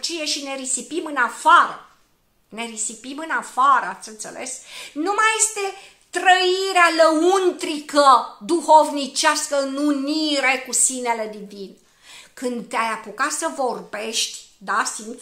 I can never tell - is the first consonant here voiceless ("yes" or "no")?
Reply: yes